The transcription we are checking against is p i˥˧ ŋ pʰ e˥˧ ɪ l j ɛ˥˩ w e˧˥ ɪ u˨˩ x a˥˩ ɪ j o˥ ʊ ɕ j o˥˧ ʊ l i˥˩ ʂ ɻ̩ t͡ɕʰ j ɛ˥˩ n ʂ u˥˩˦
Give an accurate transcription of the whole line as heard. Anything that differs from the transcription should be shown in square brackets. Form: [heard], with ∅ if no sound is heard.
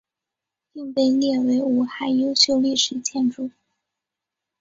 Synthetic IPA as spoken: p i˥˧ ŋ [p] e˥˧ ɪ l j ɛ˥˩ w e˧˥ ɪ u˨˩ x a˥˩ ɪ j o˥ ʊ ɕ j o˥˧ ʊ l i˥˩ ʂ ɻ̩ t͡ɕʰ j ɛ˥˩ n [ʈ͡ʂ] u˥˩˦